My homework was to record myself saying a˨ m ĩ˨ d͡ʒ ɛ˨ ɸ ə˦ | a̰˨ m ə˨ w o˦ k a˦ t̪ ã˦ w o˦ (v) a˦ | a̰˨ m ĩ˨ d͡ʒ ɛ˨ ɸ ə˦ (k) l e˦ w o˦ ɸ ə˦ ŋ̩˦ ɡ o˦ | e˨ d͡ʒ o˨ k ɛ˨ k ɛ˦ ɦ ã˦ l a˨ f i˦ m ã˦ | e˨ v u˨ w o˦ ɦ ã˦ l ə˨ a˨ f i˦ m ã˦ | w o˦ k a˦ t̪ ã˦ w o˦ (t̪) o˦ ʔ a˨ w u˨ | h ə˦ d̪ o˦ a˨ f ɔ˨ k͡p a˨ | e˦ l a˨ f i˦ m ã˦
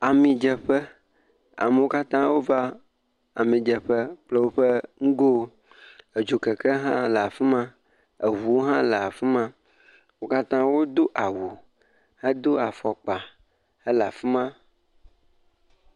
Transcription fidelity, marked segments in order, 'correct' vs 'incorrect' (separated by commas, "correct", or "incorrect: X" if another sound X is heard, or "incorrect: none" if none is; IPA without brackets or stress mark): correct, incorrect: k͡p, incorrect: d̪